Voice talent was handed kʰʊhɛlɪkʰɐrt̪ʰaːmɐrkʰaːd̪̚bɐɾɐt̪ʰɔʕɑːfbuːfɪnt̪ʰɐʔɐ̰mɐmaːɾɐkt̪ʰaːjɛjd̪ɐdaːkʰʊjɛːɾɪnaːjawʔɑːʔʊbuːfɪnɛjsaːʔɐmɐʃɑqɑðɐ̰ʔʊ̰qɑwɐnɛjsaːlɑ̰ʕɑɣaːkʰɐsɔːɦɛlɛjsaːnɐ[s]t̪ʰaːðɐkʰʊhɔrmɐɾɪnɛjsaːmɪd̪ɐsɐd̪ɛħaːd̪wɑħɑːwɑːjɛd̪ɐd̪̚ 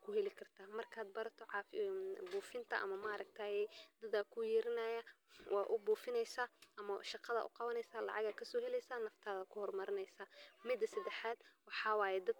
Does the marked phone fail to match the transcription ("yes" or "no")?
yes